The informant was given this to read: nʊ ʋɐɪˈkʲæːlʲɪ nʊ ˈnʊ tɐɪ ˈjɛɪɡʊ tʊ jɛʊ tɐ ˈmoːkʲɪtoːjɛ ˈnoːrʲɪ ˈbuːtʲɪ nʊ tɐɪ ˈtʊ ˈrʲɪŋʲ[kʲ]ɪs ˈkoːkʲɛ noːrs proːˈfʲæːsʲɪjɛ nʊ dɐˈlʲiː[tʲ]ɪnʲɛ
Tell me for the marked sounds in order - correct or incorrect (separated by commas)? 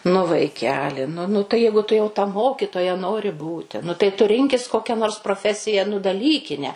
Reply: correct, incorrect